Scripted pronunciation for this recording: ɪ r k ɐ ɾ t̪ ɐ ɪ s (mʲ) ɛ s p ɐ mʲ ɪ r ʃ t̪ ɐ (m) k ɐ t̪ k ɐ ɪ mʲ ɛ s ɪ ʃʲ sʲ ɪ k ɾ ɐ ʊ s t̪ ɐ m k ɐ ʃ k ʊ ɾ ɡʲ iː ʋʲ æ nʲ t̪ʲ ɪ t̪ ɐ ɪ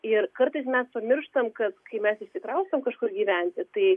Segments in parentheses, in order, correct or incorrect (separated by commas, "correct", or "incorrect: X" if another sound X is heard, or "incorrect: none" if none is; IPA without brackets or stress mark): correct, correct